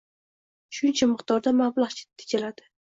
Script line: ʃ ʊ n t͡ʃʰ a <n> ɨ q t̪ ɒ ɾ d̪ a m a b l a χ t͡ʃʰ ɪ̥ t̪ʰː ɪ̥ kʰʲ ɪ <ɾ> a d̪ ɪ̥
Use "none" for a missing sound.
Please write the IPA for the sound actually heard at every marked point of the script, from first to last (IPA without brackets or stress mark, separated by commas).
m, l